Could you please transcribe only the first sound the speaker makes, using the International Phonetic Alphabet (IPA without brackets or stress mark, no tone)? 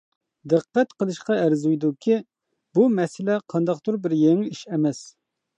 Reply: d̪